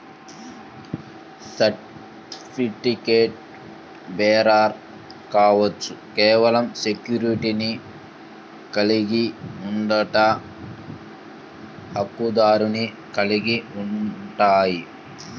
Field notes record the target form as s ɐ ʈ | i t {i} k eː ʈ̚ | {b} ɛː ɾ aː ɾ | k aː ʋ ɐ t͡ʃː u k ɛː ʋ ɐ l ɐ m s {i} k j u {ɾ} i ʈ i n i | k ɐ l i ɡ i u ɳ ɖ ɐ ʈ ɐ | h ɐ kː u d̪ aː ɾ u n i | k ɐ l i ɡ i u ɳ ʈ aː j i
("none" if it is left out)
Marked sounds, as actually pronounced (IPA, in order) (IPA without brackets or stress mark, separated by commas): i, b, e, ɾ